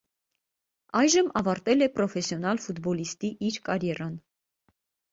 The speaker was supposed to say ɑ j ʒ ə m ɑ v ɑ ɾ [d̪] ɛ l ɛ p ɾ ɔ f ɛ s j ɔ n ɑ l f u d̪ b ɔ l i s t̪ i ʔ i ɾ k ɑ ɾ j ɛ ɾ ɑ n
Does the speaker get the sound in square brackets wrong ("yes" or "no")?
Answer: yes